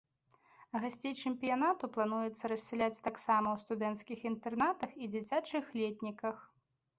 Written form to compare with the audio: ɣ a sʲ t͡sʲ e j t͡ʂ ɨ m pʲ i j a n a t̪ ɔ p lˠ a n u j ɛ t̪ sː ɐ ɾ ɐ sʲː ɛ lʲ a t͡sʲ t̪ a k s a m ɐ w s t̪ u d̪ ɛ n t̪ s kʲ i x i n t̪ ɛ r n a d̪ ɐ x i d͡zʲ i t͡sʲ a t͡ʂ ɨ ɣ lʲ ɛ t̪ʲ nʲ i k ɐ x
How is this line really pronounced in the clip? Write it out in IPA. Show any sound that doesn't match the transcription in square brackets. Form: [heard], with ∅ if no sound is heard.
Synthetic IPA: ɣ a sʲ t͡sʲ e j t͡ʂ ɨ m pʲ i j a n a t̪ [u] p lˠ a n u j ɛ t̪ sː ɐ ɾ ɐ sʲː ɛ lʲ a t͡sʲ t̪ a k s a m ɐ w s t̪ u d̪ ɛ n t̪ s kʲ i x i n t̪ ɛ r n a [t̪] ɐ x i d͡zʲ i t͡sʲ a t͡ʂ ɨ [x] lʲ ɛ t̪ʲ nʲ i k ɐ x